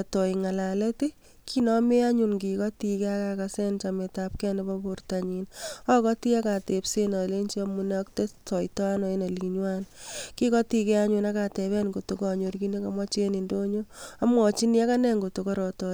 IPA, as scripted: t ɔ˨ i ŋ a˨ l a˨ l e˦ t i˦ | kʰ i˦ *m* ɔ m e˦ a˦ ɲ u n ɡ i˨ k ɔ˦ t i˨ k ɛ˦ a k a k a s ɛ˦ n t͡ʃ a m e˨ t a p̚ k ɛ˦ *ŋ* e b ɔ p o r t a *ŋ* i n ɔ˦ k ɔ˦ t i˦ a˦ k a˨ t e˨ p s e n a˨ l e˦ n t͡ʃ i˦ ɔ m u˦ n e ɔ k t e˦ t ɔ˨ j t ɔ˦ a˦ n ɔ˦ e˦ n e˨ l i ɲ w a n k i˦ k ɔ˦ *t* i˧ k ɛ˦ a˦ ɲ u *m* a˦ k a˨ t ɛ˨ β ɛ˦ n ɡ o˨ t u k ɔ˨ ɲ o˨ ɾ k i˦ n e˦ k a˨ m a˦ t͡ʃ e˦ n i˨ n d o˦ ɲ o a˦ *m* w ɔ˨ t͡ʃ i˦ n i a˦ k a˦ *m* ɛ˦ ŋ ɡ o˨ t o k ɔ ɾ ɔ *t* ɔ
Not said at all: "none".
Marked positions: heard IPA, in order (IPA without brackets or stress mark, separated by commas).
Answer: n, n, ɲ, t, n, m, n, t